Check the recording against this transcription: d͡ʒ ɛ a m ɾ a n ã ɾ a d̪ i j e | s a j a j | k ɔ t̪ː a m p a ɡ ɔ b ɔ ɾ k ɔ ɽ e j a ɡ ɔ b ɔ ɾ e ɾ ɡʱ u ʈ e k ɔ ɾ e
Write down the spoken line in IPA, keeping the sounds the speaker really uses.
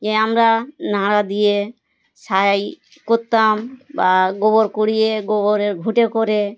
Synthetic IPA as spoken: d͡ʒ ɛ a m ɾ a n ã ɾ a d̪ i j e | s a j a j | k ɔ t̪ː a m b a ɡ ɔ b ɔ ɾ k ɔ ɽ i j e ɡ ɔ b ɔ ɾ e ɾ ɡʱ u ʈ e k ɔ ɾ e